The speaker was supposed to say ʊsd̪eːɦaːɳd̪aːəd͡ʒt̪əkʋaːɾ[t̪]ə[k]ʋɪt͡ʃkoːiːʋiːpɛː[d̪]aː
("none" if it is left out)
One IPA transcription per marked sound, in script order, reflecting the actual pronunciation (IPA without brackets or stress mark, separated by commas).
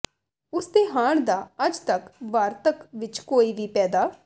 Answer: t̪, k, d̪